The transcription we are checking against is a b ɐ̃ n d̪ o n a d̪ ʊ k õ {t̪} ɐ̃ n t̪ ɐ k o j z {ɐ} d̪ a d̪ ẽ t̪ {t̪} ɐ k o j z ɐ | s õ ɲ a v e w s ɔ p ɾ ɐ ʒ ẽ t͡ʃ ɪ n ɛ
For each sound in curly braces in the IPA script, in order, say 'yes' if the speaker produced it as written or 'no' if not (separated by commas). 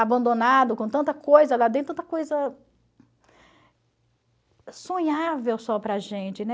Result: yes, yes, yes